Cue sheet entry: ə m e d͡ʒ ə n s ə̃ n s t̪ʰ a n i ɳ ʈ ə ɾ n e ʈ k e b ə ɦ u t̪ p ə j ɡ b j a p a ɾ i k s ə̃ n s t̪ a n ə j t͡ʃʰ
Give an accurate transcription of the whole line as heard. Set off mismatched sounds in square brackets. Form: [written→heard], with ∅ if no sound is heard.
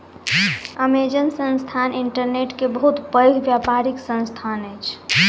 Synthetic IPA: ə m e d͡ʒ ə n s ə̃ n s t̪ʰ a n i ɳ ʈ ə ɾ n e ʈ k e b ə ɦ u t̪ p ə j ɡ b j a p a ɾ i k s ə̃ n s [t̪→t̪ʰ] a n ə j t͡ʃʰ